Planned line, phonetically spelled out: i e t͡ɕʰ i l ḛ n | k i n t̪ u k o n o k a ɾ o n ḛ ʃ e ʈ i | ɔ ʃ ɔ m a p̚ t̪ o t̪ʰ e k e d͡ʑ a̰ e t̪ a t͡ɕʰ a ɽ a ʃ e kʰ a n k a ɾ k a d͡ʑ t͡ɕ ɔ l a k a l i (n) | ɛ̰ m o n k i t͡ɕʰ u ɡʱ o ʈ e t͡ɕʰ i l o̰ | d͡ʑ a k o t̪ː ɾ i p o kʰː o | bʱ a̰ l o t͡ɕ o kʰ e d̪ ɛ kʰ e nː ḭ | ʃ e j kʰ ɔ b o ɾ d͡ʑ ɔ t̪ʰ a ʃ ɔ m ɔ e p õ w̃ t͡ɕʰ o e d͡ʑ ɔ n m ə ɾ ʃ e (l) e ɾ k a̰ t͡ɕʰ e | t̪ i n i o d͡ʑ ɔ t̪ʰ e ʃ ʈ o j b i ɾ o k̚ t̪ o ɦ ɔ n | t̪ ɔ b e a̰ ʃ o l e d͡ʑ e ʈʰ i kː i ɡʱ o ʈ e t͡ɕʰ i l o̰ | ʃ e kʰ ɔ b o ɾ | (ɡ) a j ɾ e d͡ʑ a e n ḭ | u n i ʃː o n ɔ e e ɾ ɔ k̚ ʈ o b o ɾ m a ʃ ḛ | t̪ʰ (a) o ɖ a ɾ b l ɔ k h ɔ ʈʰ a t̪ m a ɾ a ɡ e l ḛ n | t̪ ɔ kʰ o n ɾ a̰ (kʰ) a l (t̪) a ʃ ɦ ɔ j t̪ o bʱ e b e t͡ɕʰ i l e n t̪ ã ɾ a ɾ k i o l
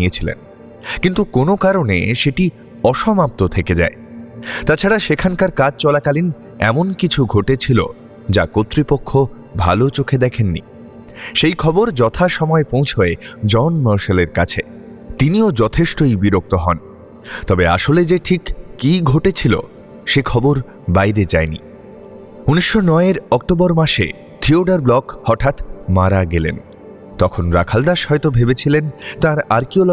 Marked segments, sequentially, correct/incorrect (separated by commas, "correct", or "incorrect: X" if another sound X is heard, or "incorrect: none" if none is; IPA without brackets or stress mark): correct, correct, incorrect: b, incorrect: i, correct, incorrect: d̪